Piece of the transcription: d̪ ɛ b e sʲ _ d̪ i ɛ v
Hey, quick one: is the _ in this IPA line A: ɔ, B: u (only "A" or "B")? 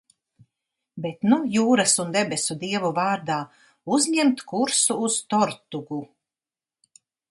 B